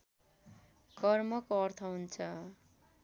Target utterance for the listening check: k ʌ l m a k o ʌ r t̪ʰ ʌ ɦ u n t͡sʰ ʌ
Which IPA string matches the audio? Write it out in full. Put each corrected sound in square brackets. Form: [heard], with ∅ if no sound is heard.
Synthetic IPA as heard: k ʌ [r] m [ʌ] k o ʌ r t̪ʰ ʌ ɦ u n t͡sʰ ʌ